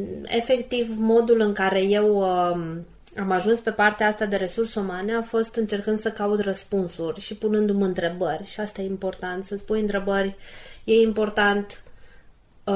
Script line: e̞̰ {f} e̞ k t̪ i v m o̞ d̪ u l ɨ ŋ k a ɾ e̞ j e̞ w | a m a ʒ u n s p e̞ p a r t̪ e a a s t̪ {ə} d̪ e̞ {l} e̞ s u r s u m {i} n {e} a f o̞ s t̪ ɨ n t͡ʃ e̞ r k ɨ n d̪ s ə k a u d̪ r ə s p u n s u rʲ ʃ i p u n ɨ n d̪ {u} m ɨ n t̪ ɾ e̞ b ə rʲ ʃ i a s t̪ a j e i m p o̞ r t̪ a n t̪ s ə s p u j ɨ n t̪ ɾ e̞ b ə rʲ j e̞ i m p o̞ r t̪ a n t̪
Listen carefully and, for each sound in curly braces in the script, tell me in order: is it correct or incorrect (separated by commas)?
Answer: correct, incorrect, incorrect, incorrect, correct, correct